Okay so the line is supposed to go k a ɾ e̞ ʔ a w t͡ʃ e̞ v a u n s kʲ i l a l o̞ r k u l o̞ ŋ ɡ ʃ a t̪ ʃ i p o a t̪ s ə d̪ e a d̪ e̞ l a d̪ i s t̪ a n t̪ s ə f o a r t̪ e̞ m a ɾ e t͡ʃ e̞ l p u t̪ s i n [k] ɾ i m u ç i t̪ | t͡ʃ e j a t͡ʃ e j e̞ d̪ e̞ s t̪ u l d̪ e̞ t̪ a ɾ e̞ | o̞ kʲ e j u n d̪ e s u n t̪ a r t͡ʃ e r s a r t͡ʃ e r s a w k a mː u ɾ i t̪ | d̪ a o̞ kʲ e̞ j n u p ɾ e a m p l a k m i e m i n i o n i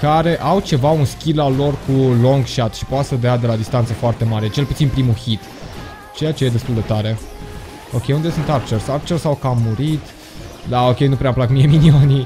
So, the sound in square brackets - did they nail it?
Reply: no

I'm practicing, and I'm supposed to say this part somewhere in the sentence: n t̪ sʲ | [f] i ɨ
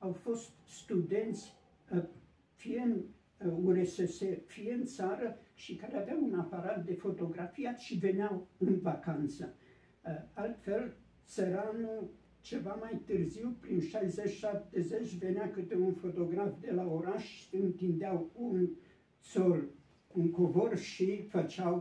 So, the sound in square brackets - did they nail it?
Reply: yes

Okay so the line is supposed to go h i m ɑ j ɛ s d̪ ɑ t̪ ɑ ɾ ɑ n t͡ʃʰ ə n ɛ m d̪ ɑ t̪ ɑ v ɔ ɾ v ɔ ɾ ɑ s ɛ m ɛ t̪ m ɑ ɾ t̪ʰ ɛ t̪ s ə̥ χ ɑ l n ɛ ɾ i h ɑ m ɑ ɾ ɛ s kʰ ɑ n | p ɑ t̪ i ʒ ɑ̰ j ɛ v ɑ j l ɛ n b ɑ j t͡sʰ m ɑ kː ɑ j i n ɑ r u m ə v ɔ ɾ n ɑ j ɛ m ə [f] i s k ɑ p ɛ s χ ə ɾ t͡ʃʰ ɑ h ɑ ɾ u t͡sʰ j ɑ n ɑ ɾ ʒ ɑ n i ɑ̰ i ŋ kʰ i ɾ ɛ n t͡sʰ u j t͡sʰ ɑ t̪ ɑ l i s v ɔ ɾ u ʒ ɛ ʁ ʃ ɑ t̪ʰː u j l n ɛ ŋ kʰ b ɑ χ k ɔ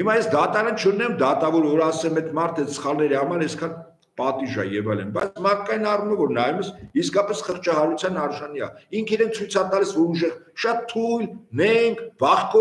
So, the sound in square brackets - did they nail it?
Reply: no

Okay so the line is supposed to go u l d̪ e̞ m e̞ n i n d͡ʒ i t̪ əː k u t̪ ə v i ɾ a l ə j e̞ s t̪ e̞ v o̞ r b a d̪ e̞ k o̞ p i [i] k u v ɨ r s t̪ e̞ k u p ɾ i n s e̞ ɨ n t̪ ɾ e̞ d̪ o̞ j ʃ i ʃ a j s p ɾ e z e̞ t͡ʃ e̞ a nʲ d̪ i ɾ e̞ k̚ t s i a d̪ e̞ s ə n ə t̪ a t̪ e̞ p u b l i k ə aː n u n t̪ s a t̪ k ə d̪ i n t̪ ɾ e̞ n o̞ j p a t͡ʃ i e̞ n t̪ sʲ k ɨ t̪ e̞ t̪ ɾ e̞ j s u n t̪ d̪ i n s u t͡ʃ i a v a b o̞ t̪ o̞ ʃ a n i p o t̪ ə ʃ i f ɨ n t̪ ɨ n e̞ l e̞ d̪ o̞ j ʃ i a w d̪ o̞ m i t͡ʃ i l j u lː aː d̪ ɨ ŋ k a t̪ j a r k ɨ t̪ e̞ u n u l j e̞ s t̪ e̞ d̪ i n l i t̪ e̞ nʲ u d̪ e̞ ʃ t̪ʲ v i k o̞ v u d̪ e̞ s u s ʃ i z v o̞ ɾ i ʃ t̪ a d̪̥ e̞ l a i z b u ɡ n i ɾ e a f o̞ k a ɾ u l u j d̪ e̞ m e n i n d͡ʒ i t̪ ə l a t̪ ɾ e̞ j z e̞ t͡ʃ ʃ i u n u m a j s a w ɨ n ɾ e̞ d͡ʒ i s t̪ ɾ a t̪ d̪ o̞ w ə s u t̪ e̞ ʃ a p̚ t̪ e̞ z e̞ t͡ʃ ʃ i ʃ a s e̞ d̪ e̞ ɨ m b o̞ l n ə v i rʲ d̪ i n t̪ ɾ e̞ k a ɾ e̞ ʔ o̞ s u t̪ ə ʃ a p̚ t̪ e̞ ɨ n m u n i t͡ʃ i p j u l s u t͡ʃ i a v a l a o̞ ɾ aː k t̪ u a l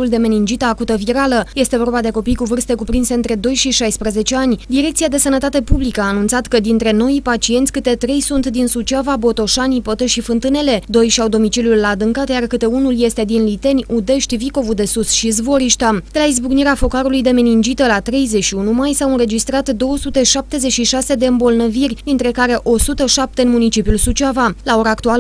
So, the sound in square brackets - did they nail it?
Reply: no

